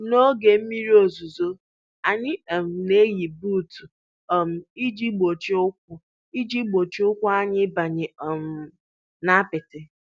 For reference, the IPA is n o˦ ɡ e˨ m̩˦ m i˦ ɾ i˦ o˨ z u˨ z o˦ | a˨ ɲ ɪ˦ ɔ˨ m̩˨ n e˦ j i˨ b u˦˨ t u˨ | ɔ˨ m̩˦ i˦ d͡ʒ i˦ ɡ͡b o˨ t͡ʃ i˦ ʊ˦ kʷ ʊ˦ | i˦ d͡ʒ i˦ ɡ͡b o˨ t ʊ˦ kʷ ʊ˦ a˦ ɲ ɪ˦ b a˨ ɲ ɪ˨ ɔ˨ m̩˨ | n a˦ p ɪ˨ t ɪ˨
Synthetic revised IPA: n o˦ ɡ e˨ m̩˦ m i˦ ɾ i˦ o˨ z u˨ z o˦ | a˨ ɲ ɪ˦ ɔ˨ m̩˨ n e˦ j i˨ b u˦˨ t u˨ | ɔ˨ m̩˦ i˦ d͡ʒ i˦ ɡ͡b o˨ t͡ʃ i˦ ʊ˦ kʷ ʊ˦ | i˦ d͡ʒ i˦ ɡ͡b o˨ t͡ʃ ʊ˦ kʷ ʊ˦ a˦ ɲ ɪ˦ b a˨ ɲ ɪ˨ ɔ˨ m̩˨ | n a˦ p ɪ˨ t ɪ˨